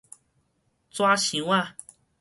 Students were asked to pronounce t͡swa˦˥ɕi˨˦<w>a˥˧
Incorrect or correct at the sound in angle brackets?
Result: correct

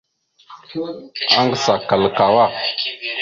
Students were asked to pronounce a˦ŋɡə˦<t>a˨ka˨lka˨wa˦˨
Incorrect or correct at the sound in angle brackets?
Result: incorrect: s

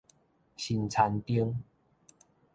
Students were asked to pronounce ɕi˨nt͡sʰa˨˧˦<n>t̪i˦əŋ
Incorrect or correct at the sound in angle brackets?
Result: correct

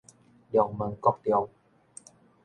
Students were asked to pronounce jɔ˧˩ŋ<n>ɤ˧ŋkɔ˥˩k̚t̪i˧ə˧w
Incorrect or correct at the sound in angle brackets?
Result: incorrect: m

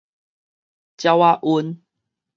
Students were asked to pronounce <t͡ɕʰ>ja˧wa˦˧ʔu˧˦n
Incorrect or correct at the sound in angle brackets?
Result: incorrect: t͡ɕ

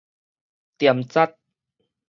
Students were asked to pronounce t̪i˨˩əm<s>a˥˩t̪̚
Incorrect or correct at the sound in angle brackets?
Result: incorrect: t͡s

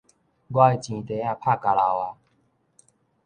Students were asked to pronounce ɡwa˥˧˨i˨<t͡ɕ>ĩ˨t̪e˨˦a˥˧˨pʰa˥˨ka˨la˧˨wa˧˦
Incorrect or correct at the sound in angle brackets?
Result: correct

